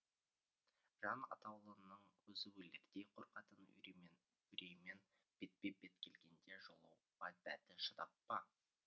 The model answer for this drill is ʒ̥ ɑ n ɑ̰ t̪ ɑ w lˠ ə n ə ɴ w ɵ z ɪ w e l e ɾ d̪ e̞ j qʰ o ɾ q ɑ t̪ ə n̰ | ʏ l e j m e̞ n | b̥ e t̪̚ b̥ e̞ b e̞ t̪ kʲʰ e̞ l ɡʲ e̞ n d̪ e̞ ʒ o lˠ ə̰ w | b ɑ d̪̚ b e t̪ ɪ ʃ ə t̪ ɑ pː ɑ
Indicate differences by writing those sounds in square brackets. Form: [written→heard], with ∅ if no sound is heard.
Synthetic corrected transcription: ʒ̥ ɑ n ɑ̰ t̪ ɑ w lˠ ə n ə ɴ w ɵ z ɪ w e l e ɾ d̪ e̞ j qʰ o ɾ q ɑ t̪ ə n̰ | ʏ [l→ɾ] e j m e̞ n | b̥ e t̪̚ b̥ e̞ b e̞ t̪ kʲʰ e̞ l ɡʲ e̞ n d̪ e̞ ʒ o lˠ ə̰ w | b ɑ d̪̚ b [e→æ] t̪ ɪ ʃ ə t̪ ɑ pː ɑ